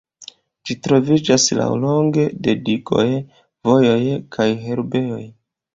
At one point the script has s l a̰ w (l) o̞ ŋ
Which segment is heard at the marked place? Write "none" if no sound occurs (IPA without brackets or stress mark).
l